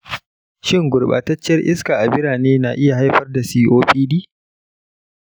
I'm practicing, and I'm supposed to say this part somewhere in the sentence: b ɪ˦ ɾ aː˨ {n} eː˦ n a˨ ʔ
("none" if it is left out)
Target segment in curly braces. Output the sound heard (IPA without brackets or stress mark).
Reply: n